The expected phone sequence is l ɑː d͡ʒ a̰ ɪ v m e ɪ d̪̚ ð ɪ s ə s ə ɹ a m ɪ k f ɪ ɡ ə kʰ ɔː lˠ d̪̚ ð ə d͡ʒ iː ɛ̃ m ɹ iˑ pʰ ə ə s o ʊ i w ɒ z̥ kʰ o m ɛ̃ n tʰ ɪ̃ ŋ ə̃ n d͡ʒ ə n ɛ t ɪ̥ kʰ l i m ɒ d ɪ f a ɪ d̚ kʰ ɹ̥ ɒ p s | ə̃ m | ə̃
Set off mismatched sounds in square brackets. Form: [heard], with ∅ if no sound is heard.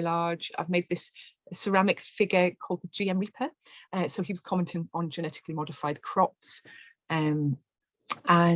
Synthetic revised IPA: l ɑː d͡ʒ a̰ ɪ v m e ɪ d̪̚ ð ɪ s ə s ə ɹ a m ɪ k f ɪ ɡ ə kʰ ɔː lˠ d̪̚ ð ə d͡ʒ iː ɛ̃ m ɹ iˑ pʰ ə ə s o ʊ i w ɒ z̥ kʰ [ɒ] m ɛ̃ n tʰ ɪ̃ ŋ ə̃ n d͡ʒ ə n ɛ t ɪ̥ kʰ l i m ɒ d ɪ f a ɪ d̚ kʰ ɹ̥ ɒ p s | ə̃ m | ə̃